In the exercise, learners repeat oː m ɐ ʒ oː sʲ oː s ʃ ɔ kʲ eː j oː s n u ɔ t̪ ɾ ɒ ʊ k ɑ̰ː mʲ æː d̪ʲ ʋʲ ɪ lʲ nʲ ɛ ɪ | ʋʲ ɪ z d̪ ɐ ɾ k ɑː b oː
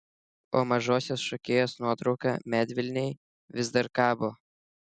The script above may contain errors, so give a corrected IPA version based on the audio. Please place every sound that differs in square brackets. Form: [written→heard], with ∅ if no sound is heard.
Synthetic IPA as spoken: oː m ɐ ʒ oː sʲ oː s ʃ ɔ kʲ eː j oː s n u ɔ t̪ ɾ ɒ ʊ k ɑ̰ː mʲ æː d̪ʲ ʋʲ ɪ lʲ nʲ ɛ ɪ | ʋʲ ɪ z d̪ ɐ ɾ k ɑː b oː